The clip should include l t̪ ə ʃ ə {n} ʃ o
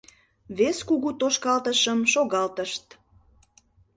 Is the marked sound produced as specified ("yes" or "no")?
no